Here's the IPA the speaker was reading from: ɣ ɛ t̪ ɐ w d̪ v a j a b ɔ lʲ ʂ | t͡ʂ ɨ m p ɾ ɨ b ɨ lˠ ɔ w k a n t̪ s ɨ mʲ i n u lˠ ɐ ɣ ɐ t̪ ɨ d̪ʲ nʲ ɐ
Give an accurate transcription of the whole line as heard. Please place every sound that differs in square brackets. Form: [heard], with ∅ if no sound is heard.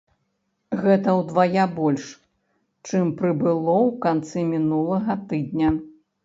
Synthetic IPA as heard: ɣ ɛ t̪ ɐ w d̪ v a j a b ɔ lʲ ʂ | t͡ʂ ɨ m p ɾ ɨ b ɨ lˠ ɔ w k a n t̪ s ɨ mʲ i n u lˠ ɐ ɣ ɐ t̪ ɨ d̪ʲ nʲ ɐ